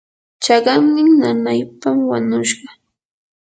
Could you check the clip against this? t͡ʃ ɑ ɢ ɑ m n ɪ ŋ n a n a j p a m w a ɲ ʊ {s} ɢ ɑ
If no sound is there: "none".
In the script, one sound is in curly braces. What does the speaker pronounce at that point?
ʃ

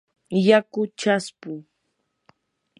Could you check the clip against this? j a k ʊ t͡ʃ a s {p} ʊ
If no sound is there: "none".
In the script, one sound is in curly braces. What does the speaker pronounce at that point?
p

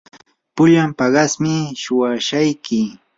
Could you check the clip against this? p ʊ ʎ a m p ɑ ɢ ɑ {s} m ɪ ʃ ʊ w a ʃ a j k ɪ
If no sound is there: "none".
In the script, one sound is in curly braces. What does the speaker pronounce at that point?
s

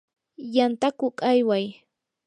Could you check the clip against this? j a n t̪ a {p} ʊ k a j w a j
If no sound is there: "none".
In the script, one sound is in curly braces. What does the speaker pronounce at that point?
k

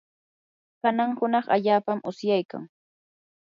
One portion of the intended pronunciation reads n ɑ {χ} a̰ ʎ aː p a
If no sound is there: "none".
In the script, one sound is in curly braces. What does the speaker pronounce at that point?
χ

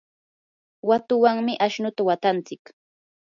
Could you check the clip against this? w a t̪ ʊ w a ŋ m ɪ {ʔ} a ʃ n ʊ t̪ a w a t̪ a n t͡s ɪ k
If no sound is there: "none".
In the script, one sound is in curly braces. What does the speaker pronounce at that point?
ʔ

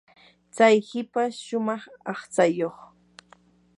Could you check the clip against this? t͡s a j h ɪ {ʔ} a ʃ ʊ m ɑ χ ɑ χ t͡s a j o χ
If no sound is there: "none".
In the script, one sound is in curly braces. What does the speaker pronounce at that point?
p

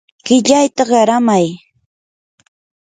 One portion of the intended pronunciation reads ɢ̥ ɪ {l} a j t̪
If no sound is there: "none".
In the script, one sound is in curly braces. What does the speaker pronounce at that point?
ʎ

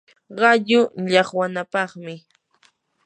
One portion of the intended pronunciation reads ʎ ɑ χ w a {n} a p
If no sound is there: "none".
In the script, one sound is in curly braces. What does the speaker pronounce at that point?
n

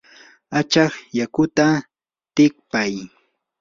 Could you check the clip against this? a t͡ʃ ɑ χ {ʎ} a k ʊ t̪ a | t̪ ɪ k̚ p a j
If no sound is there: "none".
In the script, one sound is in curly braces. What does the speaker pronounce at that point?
j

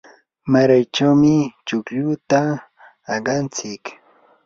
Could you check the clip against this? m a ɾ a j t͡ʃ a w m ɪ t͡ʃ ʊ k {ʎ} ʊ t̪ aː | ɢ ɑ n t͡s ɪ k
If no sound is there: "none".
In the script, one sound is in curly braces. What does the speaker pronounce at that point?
ʎ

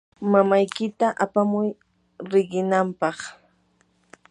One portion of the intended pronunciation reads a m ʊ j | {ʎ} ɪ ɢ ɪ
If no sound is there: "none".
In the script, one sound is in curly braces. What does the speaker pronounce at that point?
ɾ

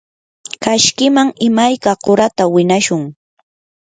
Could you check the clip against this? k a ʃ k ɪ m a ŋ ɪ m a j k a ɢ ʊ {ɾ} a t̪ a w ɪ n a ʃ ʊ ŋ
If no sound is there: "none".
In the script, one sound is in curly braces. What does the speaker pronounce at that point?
ɾ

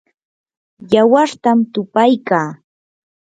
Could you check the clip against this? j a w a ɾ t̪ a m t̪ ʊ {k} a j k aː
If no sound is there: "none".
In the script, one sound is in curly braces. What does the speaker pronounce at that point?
p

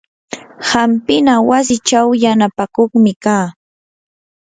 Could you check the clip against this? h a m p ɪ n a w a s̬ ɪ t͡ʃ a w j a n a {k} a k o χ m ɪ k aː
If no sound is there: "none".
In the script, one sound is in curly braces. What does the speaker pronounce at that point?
p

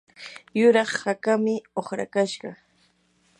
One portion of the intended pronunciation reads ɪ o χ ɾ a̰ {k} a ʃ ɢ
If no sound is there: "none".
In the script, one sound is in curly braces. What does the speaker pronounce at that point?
k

